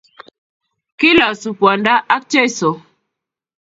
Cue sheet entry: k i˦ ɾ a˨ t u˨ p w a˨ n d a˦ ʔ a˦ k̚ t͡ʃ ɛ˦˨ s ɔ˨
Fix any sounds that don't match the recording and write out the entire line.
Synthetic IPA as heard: k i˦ l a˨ s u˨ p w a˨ n d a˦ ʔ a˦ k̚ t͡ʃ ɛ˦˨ s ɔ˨

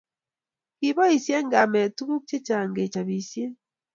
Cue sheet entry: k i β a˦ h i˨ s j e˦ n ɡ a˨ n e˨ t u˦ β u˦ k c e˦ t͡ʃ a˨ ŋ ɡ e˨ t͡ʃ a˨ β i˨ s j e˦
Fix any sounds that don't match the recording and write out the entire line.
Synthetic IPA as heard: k i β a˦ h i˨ s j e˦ ŋ ɡ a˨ m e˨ t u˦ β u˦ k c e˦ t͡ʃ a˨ ŋ ɡ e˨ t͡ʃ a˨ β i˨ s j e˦

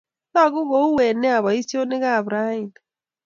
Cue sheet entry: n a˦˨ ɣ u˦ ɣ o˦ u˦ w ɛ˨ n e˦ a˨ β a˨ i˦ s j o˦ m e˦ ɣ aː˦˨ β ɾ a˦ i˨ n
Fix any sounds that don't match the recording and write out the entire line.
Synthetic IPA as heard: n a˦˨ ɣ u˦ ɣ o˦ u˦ w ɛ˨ n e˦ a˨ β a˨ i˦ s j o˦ n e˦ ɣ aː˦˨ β ɾ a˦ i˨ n

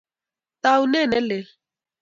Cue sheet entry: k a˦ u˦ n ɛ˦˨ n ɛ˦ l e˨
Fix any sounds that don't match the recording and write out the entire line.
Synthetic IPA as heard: t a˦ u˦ n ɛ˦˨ n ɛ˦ l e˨

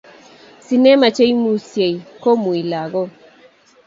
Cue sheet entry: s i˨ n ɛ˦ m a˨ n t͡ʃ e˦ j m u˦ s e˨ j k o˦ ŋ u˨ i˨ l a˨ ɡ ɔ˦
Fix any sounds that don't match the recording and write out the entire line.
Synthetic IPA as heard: s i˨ n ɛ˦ m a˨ t͡ʃ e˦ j m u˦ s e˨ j k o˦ m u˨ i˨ l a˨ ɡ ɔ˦

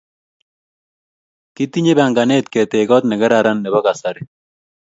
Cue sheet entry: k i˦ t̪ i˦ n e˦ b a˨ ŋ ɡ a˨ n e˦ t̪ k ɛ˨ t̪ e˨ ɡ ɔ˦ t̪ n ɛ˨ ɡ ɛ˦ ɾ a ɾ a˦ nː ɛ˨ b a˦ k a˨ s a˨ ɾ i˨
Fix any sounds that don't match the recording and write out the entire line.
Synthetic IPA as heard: k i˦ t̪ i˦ ɲ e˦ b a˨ ŋ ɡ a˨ n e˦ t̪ k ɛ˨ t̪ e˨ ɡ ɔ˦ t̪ n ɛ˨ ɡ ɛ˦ ɾ a ɾ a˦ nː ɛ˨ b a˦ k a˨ s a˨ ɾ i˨

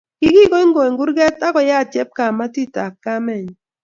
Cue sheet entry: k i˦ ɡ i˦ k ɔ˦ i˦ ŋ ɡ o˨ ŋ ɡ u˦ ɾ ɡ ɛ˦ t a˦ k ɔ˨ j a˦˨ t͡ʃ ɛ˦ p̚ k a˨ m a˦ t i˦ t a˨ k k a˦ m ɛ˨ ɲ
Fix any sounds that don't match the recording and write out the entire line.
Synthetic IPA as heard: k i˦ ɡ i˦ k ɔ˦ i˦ ŋ ɡ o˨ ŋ ɡ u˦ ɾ ɡ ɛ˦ t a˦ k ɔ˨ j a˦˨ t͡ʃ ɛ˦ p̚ k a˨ m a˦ t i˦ t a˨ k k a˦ m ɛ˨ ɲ

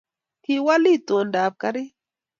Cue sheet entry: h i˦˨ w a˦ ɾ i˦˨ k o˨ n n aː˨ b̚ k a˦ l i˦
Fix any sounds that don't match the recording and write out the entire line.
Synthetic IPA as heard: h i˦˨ w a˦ l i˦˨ t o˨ n d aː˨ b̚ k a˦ ɾ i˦

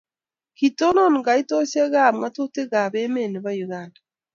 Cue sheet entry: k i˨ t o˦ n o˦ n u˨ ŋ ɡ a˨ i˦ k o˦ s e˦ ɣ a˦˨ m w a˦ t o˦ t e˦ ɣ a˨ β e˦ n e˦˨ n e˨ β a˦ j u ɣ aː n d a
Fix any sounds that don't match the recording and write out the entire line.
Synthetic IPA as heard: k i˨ t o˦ n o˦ n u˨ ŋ ɡ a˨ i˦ t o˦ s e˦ ɣ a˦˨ m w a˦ t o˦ t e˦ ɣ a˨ β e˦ m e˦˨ n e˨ β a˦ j u ɣ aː n d a

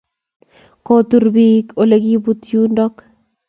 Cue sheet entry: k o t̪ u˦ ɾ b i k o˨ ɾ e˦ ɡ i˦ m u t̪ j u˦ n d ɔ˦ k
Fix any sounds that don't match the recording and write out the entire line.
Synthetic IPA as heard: k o t̪ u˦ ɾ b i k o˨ l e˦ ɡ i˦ b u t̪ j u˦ n d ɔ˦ k

